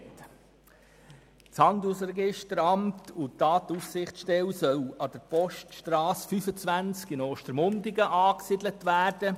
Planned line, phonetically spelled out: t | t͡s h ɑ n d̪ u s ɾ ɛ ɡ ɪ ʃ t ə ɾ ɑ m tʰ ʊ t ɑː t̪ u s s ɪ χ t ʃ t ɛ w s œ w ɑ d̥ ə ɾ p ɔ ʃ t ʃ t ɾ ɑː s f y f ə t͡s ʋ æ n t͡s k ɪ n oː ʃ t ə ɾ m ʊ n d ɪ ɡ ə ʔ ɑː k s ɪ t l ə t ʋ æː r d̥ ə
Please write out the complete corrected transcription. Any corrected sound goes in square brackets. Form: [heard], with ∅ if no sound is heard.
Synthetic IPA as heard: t | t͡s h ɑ n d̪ u s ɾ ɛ ɡ ɪ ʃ t ə ɾ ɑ m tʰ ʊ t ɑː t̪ u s s ɪ χ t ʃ t ɛ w s œ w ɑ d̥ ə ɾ p ɔ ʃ t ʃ t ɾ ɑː s f y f ə t͡s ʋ æ n t͡s k ɪ n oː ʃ t ə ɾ m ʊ n d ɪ ɡ ə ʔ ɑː k s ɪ [d] l ə t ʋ æː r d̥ ə